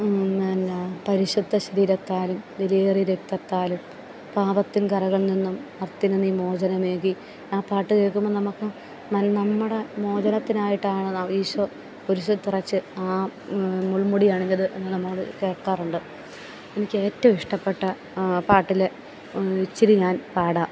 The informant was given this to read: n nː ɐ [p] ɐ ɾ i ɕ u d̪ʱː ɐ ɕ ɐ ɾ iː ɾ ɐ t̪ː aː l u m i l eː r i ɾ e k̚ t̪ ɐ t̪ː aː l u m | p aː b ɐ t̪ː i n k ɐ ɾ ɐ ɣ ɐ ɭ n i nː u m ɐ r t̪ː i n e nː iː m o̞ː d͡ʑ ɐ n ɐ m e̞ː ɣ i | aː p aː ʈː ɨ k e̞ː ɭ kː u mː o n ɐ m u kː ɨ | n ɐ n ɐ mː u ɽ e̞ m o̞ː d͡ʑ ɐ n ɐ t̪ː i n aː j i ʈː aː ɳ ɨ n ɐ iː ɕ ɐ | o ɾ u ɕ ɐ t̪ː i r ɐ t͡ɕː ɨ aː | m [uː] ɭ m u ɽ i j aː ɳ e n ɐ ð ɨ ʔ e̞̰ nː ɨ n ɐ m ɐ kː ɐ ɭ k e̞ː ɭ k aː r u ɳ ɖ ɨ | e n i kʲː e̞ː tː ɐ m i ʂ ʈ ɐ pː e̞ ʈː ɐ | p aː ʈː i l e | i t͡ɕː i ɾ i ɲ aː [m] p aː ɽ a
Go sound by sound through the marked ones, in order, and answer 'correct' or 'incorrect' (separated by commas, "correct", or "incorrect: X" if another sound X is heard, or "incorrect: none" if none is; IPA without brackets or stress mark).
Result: correct, incorrect: u, incorrect: n